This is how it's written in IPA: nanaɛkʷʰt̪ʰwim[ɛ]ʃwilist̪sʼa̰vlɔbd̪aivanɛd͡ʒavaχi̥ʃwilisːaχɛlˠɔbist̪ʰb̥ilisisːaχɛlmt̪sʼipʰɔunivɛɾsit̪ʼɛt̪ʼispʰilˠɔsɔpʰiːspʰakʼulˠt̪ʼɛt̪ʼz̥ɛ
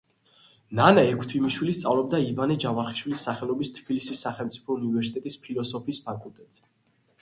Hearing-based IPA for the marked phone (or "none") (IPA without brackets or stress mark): i